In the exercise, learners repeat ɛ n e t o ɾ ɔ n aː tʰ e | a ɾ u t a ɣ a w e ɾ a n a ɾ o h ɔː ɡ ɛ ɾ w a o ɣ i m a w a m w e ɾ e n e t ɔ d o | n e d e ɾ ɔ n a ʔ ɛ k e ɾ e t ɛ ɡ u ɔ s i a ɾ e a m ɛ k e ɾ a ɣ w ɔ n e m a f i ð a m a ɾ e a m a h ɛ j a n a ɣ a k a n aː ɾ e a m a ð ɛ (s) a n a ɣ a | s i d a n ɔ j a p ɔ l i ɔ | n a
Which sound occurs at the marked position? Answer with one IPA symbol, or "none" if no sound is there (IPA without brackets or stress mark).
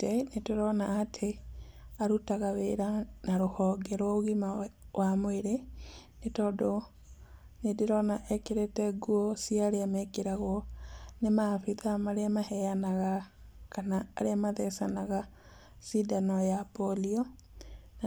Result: s